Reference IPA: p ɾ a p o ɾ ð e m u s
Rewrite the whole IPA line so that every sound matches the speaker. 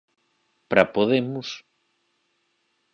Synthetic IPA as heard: p ɾ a p o ð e m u s